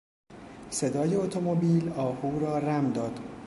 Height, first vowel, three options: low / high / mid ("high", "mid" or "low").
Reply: mid